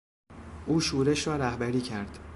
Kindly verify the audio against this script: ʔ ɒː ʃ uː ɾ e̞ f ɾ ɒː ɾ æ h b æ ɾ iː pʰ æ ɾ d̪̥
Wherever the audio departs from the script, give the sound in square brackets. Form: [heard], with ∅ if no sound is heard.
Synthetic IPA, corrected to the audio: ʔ [uː] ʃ uː ɾ e̞ [ʃ] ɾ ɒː ɾ æ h b æ ɾ iː [cʰ] æ ɾ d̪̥